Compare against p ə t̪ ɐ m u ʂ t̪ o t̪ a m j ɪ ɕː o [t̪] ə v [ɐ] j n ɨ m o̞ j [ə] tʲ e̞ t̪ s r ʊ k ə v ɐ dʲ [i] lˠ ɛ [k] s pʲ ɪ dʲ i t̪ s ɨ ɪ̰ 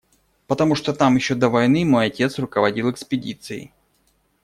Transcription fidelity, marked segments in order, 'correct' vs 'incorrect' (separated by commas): incorrect, correct, incorrect, correct, correct